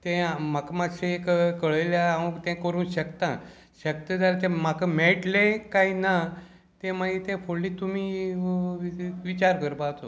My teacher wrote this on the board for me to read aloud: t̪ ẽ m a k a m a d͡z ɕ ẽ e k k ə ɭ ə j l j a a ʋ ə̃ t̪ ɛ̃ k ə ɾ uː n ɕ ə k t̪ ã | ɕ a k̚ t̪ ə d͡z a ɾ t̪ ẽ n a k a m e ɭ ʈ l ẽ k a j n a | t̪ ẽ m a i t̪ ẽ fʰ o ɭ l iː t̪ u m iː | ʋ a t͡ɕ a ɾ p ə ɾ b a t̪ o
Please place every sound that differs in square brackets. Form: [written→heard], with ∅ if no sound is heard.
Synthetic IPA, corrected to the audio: t̪ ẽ m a k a m a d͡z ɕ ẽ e k k ə ɭ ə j l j a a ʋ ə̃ t̪ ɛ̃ k ə ɾ uː n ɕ ə k t̪ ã | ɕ [a→ə] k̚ t̪ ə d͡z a ɾ t̪ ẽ [n→m] a k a m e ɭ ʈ l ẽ k a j n a | t̪ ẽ m a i t̪ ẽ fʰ o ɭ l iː t̪ u m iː | ʋ [a→i] t͡ɕ a ɾ [p→k] ə ɾ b a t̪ o

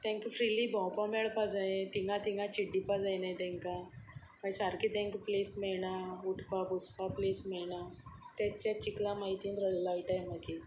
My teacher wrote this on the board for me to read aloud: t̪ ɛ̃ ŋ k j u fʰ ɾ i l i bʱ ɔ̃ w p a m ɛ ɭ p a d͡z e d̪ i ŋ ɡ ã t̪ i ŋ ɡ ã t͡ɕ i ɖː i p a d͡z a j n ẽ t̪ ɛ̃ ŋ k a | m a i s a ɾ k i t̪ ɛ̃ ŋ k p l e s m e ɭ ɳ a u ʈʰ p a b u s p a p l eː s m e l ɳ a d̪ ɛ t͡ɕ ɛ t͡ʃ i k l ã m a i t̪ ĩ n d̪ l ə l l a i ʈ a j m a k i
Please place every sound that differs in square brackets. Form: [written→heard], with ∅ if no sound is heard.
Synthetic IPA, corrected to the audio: t̪ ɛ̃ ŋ k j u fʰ ɾ i l i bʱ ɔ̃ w p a m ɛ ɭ p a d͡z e [d̪→t̪] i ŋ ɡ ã t̪ i ŋ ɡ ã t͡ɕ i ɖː i p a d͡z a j n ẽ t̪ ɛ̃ ŋ k a | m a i s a ɾ k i t̪ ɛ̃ ŋ k p l e s m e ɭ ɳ a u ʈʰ p a b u s p a p l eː s m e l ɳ a [d̪→t̪] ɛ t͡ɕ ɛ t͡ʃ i k l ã m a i t̪ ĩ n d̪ [l→ɾ] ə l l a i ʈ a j m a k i

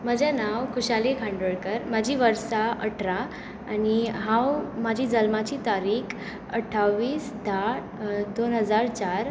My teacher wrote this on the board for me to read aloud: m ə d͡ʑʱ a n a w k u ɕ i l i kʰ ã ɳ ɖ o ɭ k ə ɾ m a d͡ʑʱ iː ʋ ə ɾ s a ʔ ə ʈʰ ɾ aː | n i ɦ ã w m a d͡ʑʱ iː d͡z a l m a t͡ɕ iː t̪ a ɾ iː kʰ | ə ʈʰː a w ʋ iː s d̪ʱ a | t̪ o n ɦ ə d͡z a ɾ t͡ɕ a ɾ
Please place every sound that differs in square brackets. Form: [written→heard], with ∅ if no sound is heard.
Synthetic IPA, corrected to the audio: m ə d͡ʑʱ a n a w k u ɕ [i→a] l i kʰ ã ɳ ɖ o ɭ k ə ɾ m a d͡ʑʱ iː ʋ ə ɾ s a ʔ ə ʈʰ ɾ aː | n i ɦ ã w m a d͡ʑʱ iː d͡z [a→ə] l m a t͡ɕ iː t̪ a ɾ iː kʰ | ə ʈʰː a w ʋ iː s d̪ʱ a | [t̪→d̪] o n ɦ ə d͡z a ɾ t͡ɕ a ɾ

